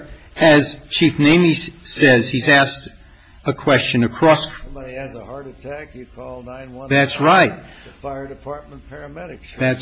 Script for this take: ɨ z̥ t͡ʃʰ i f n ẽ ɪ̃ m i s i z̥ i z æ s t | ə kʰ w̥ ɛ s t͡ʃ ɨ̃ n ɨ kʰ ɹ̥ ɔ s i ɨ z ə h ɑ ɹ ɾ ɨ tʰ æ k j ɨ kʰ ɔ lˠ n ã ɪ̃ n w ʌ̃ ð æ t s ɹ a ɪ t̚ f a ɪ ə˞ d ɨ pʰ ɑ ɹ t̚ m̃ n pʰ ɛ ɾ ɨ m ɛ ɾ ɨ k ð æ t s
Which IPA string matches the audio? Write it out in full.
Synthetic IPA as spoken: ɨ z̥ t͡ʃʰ i f n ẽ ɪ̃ m i s ɛ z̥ i z æ s t | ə kʰ w̥ ɛ s t͡ʃ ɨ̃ n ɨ kʰ ɹ̥ ɔ s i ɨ z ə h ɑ ɹ ɾ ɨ tʰ æ k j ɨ kʰ ɔ lˠ n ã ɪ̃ n w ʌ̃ ð æ t s ɹ a ɪ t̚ f a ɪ ə˞ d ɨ pʰ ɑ ɹ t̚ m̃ n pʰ ɛ ɹ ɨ m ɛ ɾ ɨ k ð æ t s